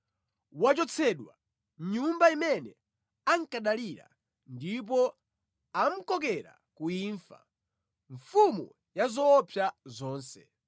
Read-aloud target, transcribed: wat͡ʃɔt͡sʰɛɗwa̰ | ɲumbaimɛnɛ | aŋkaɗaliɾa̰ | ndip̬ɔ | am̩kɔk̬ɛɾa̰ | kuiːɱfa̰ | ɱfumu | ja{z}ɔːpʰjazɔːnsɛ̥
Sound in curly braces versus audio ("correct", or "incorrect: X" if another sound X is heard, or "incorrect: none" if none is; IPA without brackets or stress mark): correct